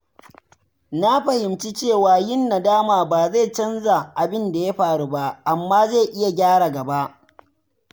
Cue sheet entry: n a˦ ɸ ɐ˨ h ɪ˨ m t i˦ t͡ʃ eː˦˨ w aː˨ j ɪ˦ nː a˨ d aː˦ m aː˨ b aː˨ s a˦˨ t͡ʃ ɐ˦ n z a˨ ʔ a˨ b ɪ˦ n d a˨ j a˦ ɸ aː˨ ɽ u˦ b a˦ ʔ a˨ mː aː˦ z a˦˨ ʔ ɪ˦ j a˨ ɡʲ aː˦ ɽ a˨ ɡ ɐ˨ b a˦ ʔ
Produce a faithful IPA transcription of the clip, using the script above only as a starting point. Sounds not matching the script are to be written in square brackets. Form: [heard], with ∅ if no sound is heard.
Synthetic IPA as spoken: n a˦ ɸ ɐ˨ h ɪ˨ m [t͡ʃ] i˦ t͡ʃ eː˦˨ w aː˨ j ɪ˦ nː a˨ d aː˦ m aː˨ b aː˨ [z] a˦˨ t͡ʃ ɐ˦ n z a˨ ʔ a˨ b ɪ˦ n d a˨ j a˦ ɸ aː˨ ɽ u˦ b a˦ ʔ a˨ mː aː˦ z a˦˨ ʔ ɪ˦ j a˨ ɡʲ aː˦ ɽ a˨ ɡ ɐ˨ b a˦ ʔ